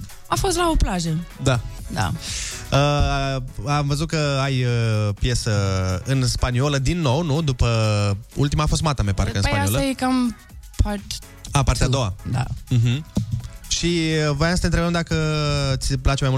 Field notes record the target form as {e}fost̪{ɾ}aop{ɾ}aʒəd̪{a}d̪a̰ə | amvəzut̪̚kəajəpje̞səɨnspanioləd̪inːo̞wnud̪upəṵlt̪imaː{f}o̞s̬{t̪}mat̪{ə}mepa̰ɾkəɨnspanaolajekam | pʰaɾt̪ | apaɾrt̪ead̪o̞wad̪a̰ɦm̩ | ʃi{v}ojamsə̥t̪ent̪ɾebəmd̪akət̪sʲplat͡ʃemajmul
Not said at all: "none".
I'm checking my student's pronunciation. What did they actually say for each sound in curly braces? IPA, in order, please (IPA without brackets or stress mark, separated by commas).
a, l, l, a, f, t̪, a, v